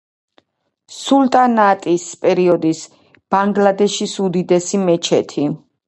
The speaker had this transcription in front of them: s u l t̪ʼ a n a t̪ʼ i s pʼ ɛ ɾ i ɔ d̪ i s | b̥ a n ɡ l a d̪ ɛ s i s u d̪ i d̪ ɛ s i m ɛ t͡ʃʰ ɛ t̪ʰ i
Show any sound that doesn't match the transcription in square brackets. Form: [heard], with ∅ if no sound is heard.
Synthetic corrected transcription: s u l t̪ʼ a n a t̪ʼ i s pʼ ɛ ɾ i ɔ d̪ i s | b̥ a [ŋ] ɡ l a d̪ ɛ [ʃ] i s u d̪ i d̪ ɛ s i m ɛ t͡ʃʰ ɛ t̪ʰ i